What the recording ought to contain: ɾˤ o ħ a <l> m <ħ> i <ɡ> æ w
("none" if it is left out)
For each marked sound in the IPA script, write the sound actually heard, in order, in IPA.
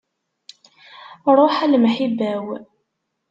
l, ħ, b

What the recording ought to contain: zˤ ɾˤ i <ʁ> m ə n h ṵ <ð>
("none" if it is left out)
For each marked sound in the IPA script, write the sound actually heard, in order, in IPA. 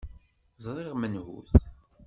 ʁ, θ

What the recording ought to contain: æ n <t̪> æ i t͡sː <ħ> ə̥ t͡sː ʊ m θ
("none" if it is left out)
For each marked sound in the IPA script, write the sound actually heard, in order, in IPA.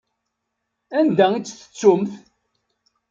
d̪, θ

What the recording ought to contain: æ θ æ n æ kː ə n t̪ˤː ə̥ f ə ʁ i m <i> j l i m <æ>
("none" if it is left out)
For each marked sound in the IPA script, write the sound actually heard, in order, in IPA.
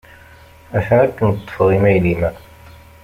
æ, æ

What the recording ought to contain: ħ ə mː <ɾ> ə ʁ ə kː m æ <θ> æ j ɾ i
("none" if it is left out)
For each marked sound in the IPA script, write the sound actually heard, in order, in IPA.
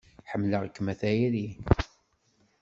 l, θ

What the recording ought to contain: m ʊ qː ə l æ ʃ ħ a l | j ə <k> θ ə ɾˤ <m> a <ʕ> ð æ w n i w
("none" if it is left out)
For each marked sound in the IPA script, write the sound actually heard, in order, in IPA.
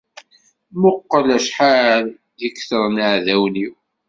k, n, ʕ

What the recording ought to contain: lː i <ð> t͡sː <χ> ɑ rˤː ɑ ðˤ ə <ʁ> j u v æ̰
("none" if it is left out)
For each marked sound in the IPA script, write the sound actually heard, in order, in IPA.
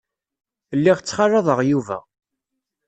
ʁ, χ, ʁ

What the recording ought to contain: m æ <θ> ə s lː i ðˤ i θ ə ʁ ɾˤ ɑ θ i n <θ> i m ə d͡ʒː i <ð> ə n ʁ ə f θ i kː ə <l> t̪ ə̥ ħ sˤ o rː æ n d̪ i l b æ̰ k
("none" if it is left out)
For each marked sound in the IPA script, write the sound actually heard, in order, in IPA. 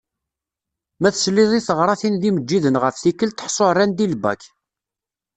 θ, ð, ð, l

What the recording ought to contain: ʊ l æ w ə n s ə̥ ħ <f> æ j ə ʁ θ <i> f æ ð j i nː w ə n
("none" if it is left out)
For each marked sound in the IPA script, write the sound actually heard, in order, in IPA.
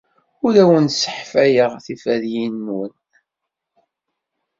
f, i

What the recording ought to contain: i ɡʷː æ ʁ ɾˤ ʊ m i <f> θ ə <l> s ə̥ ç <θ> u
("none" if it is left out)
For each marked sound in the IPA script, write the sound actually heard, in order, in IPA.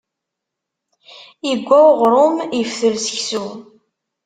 f, l, s

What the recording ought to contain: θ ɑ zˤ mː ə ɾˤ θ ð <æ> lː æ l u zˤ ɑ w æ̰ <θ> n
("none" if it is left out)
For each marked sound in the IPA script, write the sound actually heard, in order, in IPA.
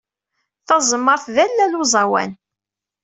æ, none

